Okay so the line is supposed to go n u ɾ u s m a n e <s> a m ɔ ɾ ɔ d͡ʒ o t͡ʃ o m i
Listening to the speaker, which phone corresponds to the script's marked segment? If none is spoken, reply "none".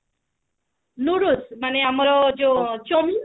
none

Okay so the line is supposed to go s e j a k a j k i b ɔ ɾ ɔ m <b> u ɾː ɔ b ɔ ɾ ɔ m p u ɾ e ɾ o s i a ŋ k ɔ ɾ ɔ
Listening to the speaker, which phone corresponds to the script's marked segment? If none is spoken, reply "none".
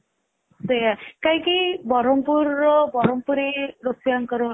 p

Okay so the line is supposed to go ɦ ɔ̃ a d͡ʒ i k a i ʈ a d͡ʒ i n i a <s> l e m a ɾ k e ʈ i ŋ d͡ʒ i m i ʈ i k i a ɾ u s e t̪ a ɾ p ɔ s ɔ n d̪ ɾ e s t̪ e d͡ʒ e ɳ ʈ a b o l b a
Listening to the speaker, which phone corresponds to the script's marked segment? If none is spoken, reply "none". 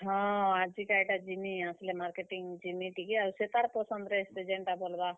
s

